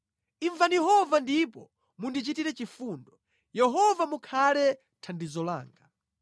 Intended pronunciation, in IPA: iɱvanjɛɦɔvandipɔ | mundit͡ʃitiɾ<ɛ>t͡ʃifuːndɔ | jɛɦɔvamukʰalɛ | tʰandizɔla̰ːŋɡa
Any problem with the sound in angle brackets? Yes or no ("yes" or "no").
no